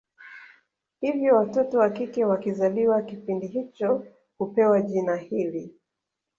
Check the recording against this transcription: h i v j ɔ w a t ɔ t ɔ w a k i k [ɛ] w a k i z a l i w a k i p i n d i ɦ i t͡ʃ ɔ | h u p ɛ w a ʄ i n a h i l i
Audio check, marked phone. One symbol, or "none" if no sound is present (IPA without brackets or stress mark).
ɛ